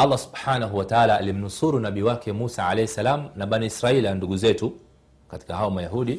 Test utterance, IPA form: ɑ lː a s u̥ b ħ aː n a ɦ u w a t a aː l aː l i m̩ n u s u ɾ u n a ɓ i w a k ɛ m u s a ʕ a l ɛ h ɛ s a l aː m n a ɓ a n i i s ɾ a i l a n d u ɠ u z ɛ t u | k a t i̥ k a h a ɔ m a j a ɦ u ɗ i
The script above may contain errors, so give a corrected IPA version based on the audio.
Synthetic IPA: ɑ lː a s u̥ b ħ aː n a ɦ u w a t a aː l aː l i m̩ n u s u ɾ u n a ɓ i w a k ɛ m u s a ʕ a l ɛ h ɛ s a l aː m n a ɓ a n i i s ɾ a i l a n d u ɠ u z ɛ t u | k a t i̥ k a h a ɔ m a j a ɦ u ɗ i